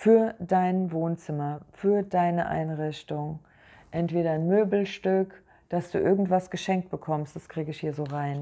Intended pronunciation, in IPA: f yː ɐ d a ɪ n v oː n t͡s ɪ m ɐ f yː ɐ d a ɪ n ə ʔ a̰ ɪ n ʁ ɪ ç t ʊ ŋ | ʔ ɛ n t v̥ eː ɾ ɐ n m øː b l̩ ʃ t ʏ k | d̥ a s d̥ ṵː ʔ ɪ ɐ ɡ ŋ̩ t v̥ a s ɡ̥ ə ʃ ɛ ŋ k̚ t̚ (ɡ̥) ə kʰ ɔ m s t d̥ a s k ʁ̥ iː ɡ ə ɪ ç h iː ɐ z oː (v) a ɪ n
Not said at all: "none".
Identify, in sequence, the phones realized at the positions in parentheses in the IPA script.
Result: b̥, ʁ

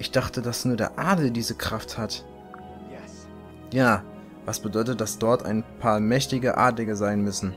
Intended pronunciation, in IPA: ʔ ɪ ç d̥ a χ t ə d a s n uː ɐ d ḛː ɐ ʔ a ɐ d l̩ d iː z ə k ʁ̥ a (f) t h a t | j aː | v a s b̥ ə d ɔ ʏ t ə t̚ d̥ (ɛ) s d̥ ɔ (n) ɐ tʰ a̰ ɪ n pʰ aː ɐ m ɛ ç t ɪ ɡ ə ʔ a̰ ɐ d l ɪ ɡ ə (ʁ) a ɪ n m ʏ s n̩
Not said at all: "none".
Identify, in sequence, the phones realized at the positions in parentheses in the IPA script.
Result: f, a, none, z

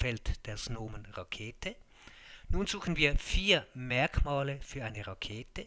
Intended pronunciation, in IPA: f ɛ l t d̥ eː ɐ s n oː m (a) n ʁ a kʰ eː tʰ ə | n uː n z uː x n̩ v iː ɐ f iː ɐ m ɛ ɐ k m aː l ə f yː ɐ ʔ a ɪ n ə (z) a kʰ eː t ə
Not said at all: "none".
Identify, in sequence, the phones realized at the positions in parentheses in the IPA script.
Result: ə, ʁ

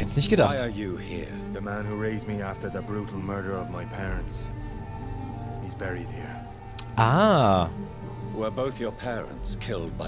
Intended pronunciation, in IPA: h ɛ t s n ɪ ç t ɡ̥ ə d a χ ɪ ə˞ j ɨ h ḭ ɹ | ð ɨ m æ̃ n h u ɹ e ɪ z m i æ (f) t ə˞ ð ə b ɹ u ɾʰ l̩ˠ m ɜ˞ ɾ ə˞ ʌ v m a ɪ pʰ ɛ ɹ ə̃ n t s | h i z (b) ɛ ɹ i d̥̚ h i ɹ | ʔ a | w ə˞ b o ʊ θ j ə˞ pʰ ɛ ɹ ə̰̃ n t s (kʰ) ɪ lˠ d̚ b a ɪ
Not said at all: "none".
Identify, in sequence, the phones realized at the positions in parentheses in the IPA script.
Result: f, b, kʰ

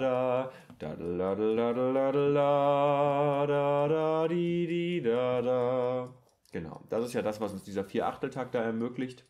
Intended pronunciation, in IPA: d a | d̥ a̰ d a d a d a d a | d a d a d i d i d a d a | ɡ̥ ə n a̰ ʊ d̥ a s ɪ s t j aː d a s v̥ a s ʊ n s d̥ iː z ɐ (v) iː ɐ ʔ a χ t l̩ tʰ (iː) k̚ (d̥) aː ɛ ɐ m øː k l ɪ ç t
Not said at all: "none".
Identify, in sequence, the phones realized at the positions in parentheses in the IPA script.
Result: f, aː, d̥

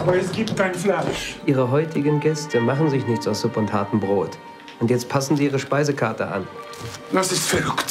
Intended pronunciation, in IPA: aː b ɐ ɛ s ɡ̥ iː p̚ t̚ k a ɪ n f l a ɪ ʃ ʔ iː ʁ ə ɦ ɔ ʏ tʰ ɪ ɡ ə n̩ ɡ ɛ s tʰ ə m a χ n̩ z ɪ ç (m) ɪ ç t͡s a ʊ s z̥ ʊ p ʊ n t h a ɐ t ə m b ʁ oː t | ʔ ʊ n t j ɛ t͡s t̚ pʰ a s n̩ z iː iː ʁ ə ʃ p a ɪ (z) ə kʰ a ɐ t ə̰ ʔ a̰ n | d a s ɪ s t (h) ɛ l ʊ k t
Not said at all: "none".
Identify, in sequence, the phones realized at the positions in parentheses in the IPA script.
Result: n, z, f

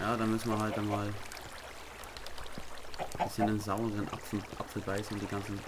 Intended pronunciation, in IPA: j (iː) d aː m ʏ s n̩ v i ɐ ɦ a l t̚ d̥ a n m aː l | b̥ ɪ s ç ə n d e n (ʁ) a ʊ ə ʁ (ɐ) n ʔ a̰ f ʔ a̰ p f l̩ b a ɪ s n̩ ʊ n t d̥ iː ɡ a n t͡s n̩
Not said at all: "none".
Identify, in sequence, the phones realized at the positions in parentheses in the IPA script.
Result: aː, z, ə

